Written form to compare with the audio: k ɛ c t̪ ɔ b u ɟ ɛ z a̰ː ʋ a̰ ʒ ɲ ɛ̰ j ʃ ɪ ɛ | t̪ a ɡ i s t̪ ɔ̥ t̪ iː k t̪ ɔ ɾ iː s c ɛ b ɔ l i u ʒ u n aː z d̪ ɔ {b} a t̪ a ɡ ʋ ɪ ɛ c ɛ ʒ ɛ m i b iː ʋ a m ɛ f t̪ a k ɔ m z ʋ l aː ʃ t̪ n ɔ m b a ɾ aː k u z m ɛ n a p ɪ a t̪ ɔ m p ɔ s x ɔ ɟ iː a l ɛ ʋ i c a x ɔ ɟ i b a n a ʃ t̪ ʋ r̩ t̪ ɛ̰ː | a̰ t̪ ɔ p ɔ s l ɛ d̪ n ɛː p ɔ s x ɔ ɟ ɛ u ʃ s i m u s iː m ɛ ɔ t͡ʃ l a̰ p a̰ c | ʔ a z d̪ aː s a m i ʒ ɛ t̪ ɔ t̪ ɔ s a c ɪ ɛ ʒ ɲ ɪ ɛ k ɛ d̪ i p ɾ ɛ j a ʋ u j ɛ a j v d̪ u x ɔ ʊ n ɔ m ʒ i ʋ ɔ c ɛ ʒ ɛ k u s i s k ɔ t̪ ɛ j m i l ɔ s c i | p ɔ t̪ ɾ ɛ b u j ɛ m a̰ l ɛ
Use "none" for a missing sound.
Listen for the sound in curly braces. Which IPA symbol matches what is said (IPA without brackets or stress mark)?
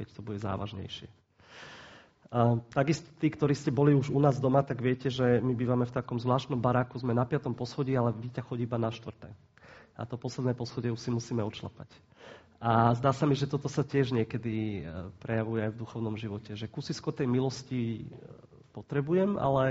m